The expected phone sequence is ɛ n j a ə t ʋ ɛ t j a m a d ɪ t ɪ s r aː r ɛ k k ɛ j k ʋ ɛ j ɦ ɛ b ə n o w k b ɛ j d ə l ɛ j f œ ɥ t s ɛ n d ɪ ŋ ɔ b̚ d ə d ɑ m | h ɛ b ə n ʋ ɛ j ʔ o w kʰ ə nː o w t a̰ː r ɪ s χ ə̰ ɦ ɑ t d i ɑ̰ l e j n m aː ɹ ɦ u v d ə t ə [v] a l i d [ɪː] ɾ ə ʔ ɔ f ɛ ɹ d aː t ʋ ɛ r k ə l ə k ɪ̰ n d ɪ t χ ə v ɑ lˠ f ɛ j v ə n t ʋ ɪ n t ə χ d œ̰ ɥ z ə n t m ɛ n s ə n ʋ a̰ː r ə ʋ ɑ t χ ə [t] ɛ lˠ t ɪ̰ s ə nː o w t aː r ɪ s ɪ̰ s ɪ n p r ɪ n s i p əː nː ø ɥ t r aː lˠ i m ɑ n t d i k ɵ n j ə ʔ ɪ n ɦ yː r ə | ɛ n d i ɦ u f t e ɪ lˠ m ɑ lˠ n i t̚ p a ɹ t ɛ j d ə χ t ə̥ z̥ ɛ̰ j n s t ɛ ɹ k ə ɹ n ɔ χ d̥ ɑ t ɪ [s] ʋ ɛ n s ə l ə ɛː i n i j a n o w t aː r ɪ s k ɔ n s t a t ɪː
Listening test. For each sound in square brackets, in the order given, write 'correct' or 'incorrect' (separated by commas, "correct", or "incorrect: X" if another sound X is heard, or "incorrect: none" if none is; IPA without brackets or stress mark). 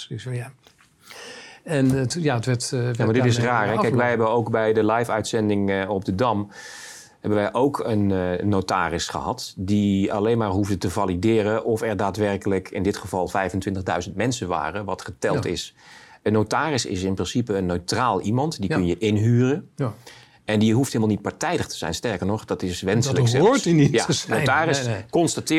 correct, correct, correct, correct